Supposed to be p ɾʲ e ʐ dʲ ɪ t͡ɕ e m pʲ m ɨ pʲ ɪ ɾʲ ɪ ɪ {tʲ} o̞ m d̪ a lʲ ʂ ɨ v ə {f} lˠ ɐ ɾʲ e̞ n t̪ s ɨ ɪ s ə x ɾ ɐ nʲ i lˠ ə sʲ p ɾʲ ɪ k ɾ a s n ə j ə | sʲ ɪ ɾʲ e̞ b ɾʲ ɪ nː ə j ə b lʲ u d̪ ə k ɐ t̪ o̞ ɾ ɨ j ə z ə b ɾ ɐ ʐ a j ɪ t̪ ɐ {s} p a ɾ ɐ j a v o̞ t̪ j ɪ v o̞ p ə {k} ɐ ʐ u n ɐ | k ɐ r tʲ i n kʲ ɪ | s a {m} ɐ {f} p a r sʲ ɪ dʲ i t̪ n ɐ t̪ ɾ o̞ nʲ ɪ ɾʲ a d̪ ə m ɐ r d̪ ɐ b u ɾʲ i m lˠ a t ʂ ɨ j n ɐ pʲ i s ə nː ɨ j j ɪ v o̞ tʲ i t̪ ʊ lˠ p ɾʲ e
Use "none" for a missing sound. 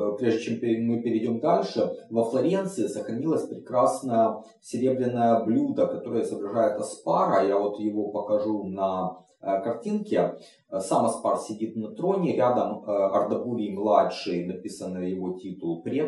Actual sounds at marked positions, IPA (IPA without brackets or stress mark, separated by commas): dʲ, f, s, k, m, s